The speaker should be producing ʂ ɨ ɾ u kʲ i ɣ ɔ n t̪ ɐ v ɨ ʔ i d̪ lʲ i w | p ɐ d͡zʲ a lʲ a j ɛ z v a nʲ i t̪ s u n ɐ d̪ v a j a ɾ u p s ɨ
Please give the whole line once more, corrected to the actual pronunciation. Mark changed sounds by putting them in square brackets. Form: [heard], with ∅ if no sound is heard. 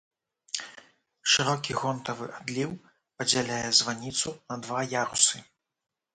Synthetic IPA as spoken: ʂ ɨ ɾ [ɔ] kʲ i ɣ ɔ n t̪ ɐ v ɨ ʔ [a] d̪ lʲ i w | p ɐ d͡zʲ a lʲ a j ɛ z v a nʲ i t̪ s u n ɐ d̪ v a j a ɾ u [∅] s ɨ